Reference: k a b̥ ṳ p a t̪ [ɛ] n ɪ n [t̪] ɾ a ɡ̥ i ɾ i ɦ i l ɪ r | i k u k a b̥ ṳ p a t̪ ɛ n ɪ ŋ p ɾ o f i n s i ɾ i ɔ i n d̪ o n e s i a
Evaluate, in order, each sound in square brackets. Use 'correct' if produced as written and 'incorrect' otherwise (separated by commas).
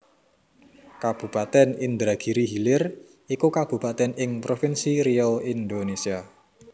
correct, incorrect